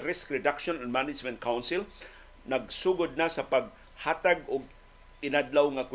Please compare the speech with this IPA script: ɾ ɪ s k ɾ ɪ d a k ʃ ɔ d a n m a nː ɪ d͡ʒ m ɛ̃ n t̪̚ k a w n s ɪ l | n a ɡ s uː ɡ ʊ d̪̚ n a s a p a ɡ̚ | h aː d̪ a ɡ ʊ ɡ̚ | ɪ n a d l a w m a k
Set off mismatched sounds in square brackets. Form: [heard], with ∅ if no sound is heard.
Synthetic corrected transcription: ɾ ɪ s k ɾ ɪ d a k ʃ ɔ [n] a n m a [n] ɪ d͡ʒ m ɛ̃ n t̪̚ k a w n s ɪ l | n a ɡ s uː ɡ ʊ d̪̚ n a s a p a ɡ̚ | h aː [t̪] a ɡ ʊ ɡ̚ | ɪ n a d l a w [ŋ] a k